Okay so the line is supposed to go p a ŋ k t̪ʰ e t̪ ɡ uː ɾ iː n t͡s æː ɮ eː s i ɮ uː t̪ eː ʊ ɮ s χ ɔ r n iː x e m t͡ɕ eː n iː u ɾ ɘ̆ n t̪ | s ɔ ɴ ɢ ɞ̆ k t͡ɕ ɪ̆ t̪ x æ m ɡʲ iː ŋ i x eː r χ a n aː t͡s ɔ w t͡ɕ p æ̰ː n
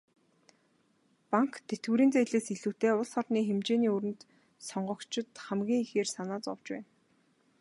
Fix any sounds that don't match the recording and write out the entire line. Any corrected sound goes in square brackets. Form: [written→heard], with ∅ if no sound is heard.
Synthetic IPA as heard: p a ŋ k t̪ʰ e t̪ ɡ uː ɾ iː n t͡s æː ɮ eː s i ɮ uː t̪ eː ʊ ɮ s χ ɔ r n iː x e m t͡ɕ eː n iː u ɾ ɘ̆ n t̪ | s ɔ ɴ ɢ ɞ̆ k t͡ɕ ɪ̆ t̪ [x→χ] æ m ɡʲ iː ŋ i x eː r [χ→s] a n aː t͡s ɔ w t͡ɕ p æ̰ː n